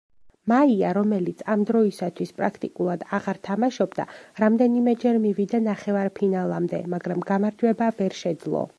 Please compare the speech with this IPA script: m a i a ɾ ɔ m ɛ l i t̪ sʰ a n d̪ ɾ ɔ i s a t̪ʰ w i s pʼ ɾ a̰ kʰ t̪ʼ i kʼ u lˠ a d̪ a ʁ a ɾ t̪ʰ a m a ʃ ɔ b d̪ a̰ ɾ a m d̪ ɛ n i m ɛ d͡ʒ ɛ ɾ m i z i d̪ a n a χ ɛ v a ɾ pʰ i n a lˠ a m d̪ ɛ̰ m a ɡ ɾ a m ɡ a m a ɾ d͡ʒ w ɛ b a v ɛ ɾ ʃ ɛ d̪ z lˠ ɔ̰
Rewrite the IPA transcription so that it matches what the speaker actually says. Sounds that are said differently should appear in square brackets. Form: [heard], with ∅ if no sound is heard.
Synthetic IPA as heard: m a i a ɾ ɔ m ɛ l i t̪ sʰ a [m] d̪ ɾ ɔ i s a t̪ʰ w i s pʼ ɾ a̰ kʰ t̪ʼ i kʼ u lˠ a d̪ a ʁ a ɾ t̪ʰ a m a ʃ ɔ b d̪ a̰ ɾ a m d̪ ɛ n i m ɛ d͡ʒ ɛ ɾ m i [v] i d̪ a n a χ ɛ v a ɾ pʰ i n a lˠ a m d̪ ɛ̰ m a ɡ ɾ a m ɡ a m a ɾ d͡ʒ w ɛ b a v ɛ ɾ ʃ ɛ d̪ z lˠ ɔ̰